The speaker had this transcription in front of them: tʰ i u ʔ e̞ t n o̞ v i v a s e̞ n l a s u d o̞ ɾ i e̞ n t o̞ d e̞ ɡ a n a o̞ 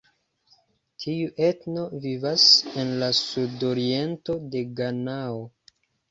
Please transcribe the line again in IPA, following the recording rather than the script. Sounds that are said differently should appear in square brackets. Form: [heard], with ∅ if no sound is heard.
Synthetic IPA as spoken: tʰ i u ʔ e̞ t n o̞ v i v a s e̞ n l a s u d o̞ ɾ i e̞ n t o̞ d e̞ ɡ a n a o̞

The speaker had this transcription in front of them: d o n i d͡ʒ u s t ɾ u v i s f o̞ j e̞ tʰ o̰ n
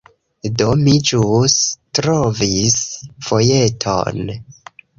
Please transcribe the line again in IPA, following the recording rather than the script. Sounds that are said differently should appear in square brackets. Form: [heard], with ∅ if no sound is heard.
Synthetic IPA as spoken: d o [m] i d͡ʒ u s t ɾ [o] v i s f o̞ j e̞ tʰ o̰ n

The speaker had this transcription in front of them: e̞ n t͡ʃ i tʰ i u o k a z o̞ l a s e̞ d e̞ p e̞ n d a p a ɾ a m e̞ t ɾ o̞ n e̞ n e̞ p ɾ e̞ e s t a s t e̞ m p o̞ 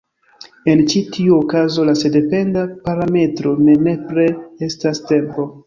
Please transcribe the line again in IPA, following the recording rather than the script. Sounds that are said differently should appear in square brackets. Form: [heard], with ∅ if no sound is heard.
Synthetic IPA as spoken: e̞ n t͡ʃ i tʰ i u o k a z o̞ l a s e̞ d e̞ p e̞ n d a p a ɾ a m e̞ t ɾ o̞ n e̞ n e̞ p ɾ e̞ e s t a s t e̞ m p o̞

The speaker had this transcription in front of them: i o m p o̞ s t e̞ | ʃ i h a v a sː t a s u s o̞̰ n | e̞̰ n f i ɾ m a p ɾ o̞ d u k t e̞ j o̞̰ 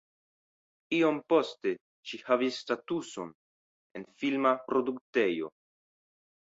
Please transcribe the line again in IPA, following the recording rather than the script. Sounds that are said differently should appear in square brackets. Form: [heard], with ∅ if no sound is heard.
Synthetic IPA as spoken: i o m p o̞ s t e̞ | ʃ i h a v [i] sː t a [t] u s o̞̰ n | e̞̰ n f i [l] m a p ɾ o̞ d u k t e̞ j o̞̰

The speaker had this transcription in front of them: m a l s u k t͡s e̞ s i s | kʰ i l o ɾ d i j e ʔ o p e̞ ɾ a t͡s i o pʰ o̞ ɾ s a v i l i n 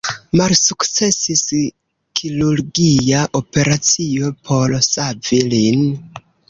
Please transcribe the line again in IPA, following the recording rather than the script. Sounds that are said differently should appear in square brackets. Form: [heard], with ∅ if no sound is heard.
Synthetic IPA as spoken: m a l s u k t͡s e̞ s i s | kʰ i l [u] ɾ [ɡ] i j [a] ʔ o p e̞ ɾ a t͡s i o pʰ o̞ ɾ s a v i l i n

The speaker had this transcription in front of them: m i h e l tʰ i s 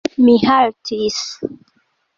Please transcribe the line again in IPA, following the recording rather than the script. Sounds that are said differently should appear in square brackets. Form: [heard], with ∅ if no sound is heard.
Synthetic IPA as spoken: m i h [a] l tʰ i s

